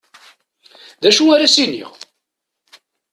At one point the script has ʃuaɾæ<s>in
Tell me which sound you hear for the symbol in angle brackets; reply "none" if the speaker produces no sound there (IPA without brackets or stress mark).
s